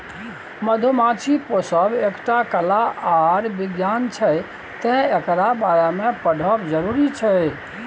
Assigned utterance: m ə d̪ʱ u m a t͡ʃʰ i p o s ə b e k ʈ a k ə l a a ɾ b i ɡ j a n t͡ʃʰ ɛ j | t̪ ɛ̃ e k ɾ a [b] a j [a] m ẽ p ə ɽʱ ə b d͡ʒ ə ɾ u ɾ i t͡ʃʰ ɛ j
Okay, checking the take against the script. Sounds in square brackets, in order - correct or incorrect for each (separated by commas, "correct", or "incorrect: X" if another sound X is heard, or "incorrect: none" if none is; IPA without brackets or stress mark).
correct, correct